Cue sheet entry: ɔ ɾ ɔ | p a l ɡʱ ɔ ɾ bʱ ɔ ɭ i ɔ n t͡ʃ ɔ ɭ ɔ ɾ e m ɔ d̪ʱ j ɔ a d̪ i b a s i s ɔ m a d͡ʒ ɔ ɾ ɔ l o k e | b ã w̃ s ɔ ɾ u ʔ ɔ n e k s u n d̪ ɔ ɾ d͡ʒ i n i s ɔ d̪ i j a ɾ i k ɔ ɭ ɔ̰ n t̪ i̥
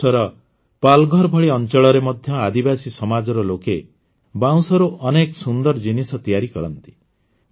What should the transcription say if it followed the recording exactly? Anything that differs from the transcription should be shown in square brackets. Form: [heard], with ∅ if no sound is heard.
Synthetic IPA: ɔ ɾ ɔ | p a l ɡʱ ɔ ɾ bʱ ɔ ɭ i ɔ n t͡ʃ ɔ ɭ ɔ ɾ e m ɔ d̪ʱ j ɔ a d̪ i b a s i s ɔ m a d͡ʒ ɔ ɾ ɔ l o k e | b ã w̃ s ɔ ɾ u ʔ ɔ n e k s u n d̪ ɔ ɾ d͡ʒ i n i s ɔ [t̪] i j a ɾ i k ɔ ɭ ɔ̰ n t̪ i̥

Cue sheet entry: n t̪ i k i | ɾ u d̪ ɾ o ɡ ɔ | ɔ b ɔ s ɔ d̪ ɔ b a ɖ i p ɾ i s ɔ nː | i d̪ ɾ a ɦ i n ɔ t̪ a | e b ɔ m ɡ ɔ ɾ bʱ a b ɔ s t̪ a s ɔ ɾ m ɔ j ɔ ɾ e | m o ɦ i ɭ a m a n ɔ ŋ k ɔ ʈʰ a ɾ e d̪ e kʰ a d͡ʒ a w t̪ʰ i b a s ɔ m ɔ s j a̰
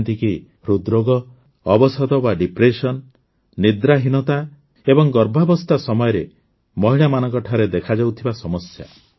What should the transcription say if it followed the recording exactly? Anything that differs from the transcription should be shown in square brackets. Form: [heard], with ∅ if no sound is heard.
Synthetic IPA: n t̪ i k i | ɾ u d̪ ɾ o ɡ ɔ | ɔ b ɔ s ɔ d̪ ɔ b a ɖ i p ɾ [e] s ɔ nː | i d̪ ɾ a ɦ i n ɔ t̪ a | e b ɔ [ŋ] ɡ ɔ ɾ bʱ a b ɔ s t̪ a s ɔ [∅] m ɔ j ɔ ɾ e | m [ɔ] ɦ i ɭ a m a n ɔ ŋ k ɔ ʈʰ a ɾ e d̪ e kʰ a d͡ʒ a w t̪ʰ i b a s ɔ m ɔ s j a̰

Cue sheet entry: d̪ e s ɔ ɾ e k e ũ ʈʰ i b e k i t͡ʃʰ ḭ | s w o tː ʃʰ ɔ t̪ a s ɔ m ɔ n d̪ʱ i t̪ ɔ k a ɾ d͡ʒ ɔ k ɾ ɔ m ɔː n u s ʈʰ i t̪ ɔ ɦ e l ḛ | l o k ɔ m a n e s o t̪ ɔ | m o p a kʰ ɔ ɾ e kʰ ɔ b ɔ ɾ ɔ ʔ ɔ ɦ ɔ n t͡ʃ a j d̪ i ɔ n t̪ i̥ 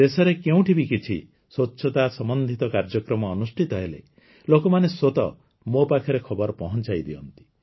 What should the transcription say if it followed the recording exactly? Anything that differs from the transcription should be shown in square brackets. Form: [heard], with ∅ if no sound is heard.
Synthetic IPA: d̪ e s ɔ ɾ e k e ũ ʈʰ i b [i] k i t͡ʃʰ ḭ | s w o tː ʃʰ ɔ t̪ a s ɔ m ɔ n d̪ʱ i t̪ ɔ k a ɾ d͡ʒ ɔ k ɾ ɔ m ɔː n u s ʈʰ i t̪ ɔ ɦ e l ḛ | l o k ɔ m a n e s o t̪ ɔ | m o p a kʰ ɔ ɾ e kʰ ɔ b ɔ ɾ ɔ [p] ɔ ɦ ɔ n t͡ʃ a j d̪ i ɔ n t̪ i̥

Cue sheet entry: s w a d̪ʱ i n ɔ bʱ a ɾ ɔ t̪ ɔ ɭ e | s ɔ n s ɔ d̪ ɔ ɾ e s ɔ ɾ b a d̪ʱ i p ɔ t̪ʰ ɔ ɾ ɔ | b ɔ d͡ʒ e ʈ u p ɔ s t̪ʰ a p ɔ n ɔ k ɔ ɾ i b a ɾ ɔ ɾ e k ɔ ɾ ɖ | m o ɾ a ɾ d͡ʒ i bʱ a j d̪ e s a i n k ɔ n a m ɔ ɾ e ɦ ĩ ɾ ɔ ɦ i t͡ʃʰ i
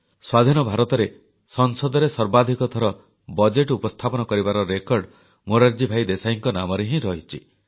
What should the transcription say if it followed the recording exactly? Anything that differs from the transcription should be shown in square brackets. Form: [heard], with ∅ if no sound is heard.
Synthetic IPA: s w a d̪ʱ i n ɔ bʱ a ɾ ɔ t̪ ɔ [ɾ] e | s ɔ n s ɔ d̪ ɔ ɾ e s ɔ ɾ b a d̪ʱ i [k] ɔ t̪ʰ ɔ ɾ ɔ | b ɔ d͡ʒ e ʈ u p ɔ s t̪ʰ a p ɔ n ɔ k ɔ ɾ i b a ɾ ɔ ɾ e k ɔ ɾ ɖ | m o ɾ a ɾ d͡ʒ i bʱ a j d̪ e s a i [ŋ] k ɔ n a m ɔ ɾ e ɦ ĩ ɾ ɔ ɦ i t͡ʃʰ i

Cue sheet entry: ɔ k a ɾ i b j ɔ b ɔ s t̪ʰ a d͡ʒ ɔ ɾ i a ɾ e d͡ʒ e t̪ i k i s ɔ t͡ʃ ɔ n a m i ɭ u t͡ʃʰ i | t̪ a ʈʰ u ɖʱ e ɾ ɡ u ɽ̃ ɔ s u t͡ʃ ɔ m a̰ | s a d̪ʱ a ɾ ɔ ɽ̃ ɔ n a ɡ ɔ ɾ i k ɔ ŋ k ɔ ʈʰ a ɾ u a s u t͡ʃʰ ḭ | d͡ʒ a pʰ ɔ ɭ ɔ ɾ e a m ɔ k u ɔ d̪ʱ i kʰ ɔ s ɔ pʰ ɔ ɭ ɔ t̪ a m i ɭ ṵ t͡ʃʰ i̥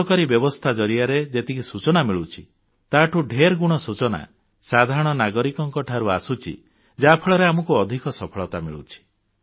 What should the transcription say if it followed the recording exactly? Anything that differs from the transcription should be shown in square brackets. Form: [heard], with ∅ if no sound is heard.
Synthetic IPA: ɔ k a ɾ i b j ɔ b ɔ s t̪ʰ a d͡ʒ ɔ ɾ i a ɾ e d͡ʒ e t̪ i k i s [u] t͡ʃ ɔ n a m i ɭ u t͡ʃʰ i | t̪ a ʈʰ u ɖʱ e ɾ ɡ u ɽ̃ ɔ s u t͡ʃ ɔ [n] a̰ | s a d̪ʱ a ɾ ɔ ɽ̃ ɔ n a ɡ ɔ ɾ i k ɔ ŋ k ɔ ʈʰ a ɾ u a s u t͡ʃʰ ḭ | d͡ʒ a pʰ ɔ ɭ ɔ ɾ e a m ɔ k u ɔ d̪ʱ i [k] ɔ s ɔ pʰ ɔ ɭ ɔ t̪ a m i ɭ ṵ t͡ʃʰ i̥

